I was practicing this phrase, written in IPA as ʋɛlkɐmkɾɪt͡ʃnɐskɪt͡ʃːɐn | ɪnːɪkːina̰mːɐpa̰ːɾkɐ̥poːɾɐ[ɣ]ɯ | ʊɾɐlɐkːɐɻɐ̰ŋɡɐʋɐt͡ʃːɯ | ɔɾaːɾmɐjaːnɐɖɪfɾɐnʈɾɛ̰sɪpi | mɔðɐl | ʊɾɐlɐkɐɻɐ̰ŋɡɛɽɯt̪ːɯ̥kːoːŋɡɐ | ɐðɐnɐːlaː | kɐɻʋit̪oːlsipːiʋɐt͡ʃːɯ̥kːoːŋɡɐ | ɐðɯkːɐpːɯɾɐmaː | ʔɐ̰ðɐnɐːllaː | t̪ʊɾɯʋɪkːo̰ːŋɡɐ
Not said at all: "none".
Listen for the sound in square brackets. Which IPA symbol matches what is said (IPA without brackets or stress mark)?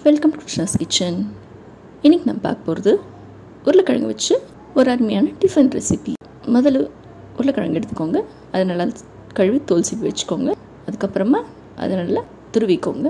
ð